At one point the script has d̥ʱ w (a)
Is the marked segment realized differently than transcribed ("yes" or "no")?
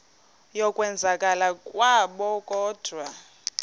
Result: no